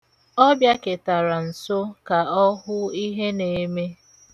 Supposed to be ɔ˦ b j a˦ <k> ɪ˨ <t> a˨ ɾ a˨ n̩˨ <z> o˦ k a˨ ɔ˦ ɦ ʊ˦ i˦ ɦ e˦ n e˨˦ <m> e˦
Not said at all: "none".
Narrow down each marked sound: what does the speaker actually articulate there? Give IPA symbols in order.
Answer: k, t, s, m

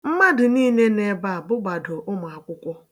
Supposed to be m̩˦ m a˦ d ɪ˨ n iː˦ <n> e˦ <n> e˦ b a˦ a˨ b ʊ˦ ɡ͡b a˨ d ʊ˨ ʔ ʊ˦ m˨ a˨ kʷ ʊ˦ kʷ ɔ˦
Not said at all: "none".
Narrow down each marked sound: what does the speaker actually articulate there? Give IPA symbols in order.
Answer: n, n

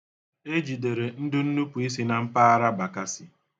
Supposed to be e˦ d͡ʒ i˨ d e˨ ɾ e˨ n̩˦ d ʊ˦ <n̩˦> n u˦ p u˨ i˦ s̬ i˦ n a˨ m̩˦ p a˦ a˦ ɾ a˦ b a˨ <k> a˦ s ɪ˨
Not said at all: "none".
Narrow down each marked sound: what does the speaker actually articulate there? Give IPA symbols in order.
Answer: n̩˦, k

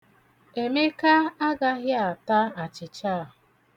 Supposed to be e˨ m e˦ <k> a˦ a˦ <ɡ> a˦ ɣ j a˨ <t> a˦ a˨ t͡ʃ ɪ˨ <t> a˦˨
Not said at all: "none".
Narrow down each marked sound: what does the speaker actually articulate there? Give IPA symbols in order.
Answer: k, ɡ, t, t͡ʃ

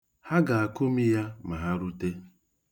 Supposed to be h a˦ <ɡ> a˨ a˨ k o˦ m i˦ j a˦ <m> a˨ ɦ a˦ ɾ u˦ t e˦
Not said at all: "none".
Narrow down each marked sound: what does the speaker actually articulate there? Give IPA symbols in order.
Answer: ɡ, m

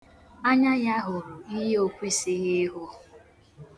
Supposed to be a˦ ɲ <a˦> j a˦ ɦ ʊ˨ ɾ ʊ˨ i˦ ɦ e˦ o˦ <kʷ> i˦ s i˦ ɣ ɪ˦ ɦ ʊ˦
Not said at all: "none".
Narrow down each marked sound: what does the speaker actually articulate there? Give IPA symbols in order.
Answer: a˦, kʷ

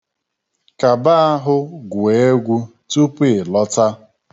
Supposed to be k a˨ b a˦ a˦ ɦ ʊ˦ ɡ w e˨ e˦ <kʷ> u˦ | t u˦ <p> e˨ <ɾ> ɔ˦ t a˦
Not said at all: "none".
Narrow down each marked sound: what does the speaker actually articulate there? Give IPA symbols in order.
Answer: ɡʷ, p, l

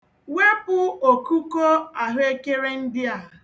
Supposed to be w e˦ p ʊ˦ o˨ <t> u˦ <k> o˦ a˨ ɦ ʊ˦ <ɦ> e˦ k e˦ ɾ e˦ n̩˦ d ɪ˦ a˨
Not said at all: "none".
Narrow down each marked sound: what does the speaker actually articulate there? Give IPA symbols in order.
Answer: k, k, none

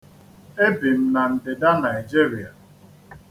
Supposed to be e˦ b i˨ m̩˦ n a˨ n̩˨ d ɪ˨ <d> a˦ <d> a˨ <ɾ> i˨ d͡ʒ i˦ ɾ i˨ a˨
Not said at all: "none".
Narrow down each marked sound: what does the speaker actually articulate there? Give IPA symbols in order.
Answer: d, n, none

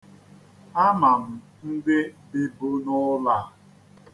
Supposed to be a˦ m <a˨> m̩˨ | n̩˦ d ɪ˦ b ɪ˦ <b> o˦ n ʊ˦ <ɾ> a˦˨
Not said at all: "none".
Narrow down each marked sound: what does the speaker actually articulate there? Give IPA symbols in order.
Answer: a˨, b, l

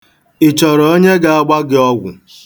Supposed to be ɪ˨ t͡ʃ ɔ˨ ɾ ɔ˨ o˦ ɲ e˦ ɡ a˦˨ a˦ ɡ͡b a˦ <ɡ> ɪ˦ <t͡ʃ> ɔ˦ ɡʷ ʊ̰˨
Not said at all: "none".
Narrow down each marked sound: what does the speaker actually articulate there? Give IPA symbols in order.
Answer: ɡ, none

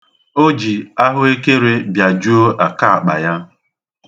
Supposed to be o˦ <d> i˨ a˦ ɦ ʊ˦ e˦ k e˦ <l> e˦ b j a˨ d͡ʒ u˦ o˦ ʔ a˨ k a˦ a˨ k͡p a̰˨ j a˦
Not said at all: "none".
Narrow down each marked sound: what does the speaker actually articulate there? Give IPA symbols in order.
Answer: d͡ʒ, ɾ

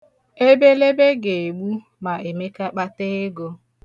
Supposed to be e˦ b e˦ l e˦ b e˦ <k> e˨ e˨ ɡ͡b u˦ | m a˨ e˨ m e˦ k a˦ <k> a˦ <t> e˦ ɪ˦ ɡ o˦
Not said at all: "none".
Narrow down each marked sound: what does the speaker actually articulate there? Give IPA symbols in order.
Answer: ɡ, k͡p, t

